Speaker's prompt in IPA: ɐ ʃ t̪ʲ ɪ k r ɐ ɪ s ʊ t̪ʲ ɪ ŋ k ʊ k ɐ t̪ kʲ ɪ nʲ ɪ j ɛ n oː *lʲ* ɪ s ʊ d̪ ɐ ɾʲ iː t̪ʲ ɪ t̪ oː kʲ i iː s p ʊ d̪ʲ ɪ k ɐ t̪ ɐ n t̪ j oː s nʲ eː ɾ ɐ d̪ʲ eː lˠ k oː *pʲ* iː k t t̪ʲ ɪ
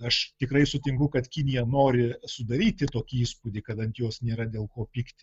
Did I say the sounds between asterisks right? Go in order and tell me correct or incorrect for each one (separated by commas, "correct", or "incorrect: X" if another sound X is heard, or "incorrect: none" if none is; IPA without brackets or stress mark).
incorrect: ɾʲ, correct